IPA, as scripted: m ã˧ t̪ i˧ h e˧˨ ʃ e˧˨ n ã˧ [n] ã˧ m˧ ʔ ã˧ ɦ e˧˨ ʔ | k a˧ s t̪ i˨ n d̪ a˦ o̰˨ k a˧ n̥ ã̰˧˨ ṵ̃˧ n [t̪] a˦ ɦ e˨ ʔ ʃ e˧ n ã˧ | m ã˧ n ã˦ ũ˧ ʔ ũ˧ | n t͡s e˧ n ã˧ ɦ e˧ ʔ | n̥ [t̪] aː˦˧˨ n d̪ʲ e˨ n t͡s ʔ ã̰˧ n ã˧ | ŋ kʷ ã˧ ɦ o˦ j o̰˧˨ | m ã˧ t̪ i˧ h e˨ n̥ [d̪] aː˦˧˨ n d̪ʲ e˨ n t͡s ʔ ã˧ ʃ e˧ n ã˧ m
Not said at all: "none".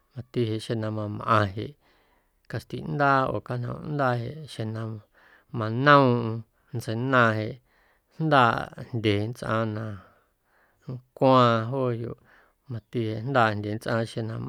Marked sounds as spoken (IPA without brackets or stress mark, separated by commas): m, d̪, d̪, d̪